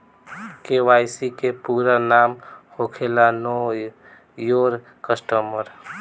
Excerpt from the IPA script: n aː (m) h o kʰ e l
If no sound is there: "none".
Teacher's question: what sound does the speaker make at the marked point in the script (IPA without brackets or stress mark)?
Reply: m